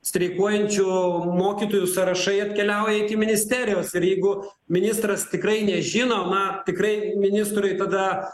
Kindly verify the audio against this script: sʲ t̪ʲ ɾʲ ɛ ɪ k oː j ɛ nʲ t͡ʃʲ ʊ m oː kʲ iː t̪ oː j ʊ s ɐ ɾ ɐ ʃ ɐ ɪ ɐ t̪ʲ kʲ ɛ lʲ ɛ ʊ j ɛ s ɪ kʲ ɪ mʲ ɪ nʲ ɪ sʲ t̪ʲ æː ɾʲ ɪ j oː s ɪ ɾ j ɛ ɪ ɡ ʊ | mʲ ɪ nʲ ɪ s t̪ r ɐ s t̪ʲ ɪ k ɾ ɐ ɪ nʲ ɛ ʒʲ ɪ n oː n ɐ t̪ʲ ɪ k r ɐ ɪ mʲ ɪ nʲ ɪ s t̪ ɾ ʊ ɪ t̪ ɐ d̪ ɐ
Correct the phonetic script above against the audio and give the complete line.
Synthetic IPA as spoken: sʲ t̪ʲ ɾʲ ɛ ɪ k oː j ɛ nʲ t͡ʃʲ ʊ m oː kʲ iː t̪ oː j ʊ s ɐ ɾ ɐ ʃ ɐ ɪ ɐ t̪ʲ kʲ ɛ lʲ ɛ ʊ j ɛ ɪ kʲ ɪ mʲ ɪ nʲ ɪ sʲ t̪ʲ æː ɾʲ ɪ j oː s ɪ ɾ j ɛ ɪ ɡ ʊ | mʲ ɪ nʲ ɪ s t̪ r ɐ s t̪ʲ ɪ k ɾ ɐ ɪ nʲ ɛ ʒʲ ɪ n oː n ɐ t̪ʲ ɪ k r ɐ ɪ mʲ ɪ nʲ ɪ s t̪ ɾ ʊ ɪ t̪ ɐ d̪ ɐ